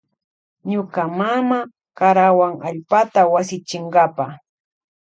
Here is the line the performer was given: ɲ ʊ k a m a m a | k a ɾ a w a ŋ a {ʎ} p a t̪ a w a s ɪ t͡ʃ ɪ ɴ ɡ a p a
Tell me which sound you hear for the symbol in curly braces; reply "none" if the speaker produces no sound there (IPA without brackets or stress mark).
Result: ʎ